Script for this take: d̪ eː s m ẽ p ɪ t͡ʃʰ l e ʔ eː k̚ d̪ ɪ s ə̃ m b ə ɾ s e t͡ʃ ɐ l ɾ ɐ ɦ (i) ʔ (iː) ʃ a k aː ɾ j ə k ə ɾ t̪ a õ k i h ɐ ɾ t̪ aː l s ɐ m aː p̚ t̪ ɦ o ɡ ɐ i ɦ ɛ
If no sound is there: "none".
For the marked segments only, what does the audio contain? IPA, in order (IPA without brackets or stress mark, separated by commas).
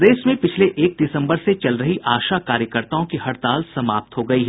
i, aː